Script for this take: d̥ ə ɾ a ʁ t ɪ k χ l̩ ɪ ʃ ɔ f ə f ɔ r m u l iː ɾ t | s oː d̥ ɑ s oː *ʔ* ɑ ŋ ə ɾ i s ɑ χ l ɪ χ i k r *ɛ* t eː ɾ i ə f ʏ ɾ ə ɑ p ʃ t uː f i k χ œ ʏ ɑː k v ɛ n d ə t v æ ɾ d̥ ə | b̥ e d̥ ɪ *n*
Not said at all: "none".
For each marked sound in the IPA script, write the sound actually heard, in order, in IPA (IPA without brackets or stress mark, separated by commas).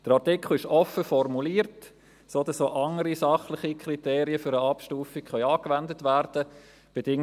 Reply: ʔ, i, ŋ